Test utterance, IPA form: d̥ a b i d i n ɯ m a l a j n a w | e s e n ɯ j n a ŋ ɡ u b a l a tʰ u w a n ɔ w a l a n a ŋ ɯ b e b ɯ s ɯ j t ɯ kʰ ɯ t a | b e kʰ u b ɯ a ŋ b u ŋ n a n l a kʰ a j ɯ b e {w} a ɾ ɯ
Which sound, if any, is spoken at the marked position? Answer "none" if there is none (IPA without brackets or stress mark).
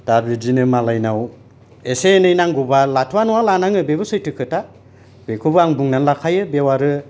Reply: w